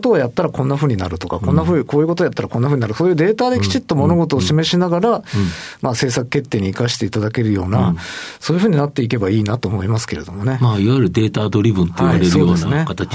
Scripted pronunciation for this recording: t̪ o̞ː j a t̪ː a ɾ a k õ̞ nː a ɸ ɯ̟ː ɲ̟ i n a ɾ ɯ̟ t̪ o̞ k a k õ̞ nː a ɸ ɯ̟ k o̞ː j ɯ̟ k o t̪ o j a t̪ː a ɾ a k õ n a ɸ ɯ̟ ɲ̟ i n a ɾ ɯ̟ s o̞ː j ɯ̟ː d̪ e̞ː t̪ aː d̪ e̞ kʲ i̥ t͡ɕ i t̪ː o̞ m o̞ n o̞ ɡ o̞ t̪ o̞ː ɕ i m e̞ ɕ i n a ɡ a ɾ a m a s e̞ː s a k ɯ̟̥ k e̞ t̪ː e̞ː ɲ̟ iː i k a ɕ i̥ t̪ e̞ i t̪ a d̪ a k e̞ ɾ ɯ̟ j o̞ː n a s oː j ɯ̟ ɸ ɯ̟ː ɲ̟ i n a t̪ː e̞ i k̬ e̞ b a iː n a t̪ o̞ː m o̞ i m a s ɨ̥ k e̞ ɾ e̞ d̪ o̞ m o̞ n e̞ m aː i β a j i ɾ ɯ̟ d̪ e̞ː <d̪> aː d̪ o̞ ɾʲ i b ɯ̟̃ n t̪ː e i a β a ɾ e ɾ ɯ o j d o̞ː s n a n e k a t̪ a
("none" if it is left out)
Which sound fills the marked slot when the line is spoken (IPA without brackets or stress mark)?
t̪